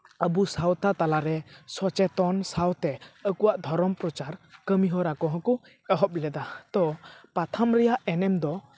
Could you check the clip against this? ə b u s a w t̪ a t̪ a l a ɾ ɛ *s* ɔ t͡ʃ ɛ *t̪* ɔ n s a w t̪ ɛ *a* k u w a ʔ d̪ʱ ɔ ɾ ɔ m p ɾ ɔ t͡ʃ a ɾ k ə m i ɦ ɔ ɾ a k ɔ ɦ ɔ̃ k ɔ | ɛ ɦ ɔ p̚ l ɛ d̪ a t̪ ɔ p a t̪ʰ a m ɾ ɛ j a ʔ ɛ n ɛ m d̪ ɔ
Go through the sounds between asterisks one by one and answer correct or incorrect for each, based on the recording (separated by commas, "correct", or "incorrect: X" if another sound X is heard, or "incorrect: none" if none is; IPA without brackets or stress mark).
correct, correct, incorrect: ə